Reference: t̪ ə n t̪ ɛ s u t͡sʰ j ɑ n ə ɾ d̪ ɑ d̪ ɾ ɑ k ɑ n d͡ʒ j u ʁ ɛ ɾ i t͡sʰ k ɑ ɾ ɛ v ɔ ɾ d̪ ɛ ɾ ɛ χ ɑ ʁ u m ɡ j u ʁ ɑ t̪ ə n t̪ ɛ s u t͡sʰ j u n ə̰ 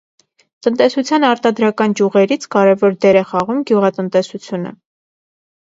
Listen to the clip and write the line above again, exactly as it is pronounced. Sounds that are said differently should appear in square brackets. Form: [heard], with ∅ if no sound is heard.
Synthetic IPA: t̪ ə n t̪ ɛ s u t͡sʰ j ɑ n [ɑ] ɾ [t̪] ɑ d̪ ɾ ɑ k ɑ n d͡ʒ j u ʁ ɛ ɾ i t͡sʰ k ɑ ɾ ɛ v ɔ ɾ d̪ ɛ ɾ ɛ χ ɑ ʁ u m ɡ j u ʁ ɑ t̪ ə n t̪ ɛ s u t͡sʰ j u n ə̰